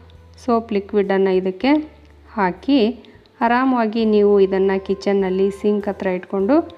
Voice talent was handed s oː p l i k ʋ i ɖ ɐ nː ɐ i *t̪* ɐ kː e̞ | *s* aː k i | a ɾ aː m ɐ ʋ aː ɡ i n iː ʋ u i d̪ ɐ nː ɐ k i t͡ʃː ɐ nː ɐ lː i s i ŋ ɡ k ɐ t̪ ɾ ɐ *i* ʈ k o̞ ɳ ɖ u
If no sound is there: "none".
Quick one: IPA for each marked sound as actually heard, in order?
d̪, h, i

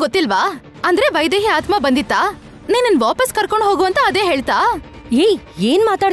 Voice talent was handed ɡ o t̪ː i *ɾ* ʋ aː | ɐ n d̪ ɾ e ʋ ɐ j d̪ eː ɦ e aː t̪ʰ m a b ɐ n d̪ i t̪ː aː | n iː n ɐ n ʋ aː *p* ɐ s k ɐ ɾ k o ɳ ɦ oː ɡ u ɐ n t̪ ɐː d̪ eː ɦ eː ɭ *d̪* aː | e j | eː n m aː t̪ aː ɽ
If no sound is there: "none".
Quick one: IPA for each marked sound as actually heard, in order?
l, p, t̪

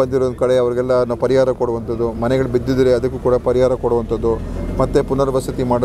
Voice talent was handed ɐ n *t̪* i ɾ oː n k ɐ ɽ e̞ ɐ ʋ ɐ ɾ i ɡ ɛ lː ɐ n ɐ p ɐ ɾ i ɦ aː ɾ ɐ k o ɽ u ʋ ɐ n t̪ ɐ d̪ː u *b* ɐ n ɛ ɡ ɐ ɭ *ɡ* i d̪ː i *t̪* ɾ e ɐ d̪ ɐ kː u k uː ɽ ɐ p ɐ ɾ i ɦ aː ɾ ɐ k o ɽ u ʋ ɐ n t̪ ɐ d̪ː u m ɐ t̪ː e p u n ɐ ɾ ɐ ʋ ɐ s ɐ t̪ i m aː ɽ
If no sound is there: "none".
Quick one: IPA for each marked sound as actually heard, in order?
d̪, m, b, d̪

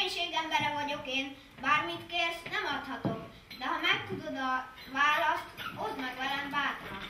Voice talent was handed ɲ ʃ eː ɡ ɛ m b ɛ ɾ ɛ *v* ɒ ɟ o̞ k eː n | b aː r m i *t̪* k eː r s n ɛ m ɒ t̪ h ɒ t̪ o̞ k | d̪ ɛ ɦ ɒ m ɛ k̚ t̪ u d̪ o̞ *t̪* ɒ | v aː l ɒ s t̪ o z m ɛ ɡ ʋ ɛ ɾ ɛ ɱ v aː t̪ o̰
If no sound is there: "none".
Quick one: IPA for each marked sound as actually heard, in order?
v, t̪, d̪

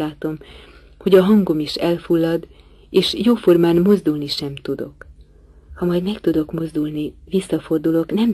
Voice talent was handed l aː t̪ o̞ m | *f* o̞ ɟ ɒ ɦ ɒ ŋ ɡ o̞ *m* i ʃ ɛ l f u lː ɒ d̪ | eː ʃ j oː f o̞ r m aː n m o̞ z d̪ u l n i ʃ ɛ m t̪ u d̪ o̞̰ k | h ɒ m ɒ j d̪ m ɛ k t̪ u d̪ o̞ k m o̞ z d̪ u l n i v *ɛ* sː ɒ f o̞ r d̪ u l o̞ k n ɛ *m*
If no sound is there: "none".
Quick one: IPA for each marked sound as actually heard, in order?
h, m, i, m

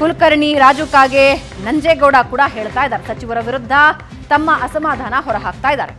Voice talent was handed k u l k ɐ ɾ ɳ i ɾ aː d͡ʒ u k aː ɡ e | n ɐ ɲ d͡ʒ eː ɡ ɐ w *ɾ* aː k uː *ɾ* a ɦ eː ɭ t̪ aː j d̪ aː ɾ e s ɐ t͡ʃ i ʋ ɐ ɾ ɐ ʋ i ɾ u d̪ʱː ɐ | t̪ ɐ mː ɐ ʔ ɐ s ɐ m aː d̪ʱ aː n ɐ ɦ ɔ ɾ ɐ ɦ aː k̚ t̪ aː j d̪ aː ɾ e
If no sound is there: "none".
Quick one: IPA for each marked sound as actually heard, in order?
ɽ, ɽ

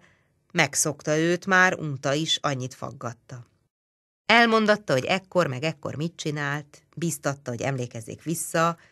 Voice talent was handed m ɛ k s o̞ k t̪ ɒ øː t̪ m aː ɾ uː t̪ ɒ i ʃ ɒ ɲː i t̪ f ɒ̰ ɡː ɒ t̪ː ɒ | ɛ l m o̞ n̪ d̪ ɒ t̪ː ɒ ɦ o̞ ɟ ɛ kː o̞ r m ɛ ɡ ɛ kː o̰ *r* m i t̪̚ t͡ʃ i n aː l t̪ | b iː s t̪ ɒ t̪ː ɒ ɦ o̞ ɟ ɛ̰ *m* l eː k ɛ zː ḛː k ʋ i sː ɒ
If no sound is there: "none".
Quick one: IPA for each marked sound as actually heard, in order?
r, m

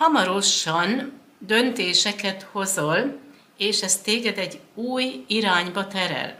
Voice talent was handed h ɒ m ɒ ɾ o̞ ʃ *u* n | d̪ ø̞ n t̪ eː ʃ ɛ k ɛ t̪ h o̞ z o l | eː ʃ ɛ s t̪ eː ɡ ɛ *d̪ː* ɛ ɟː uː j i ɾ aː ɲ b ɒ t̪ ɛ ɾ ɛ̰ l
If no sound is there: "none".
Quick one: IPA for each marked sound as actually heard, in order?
ɒ, d̪

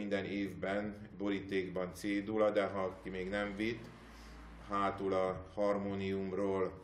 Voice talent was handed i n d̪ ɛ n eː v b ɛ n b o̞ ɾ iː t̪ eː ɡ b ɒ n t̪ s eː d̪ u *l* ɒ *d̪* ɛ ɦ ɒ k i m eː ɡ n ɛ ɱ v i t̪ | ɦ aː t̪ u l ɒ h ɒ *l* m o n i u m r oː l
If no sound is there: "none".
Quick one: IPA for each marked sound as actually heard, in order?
l, d̪, r

